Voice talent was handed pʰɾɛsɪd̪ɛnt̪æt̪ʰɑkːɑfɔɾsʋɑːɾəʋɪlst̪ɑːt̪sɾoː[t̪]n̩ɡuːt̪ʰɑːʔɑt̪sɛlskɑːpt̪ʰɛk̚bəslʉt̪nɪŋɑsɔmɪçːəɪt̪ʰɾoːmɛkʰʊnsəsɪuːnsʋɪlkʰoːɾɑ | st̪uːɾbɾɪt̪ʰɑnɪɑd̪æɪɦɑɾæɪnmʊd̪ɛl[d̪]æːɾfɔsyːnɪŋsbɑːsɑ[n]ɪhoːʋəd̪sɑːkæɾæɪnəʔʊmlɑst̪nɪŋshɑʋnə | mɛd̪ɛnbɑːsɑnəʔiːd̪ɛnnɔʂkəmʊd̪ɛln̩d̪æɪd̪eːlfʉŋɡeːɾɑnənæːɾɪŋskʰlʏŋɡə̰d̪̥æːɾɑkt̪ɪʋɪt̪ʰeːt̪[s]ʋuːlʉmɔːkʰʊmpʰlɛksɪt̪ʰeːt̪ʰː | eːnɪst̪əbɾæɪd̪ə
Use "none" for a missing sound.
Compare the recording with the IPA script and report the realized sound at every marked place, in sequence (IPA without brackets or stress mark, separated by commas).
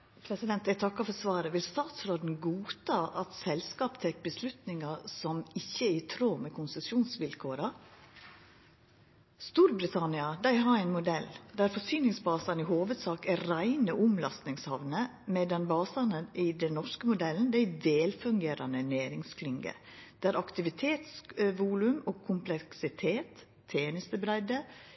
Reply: d̪, d̪, n, s